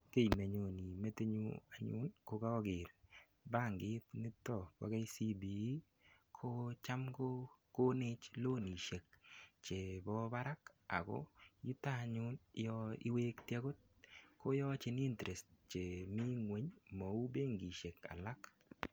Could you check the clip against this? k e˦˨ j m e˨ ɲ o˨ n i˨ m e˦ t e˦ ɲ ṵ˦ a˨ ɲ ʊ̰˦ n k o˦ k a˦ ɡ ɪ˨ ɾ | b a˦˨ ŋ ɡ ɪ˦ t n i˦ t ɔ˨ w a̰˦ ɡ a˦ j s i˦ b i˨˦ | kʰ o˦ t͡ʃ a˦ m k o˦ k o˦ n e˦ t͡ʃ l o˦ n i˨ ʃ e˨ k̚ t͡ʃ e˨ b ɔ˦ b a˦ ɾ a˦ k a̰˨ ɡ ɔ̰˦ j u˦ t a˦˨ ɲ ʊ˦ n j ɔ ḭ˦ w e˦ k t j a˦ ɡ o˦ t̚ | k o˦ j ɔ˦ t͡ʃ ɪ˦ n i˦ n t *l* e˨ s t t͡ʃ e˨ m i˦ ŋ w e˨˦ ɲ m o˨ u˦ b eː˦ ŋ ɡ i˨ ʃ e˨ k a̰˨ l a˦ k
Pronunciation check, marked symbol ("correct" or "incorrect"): incorrect